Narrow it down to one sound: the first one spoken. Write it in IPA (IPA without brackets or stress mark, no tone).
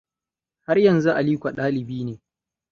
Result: h